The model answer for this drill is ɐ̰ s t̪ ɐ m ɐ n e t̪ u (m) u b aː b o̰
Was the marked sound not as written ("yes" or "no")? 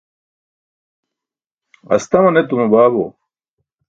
no